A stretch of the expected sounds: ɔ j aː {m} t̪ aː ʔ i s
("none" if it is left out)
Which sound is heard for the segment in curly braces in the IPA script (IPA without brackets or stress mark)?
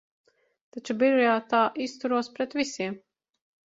none